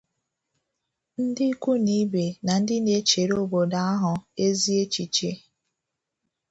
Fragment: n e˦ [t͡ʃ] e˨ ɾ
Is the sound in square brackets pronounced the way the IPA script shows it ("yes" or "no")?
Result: yes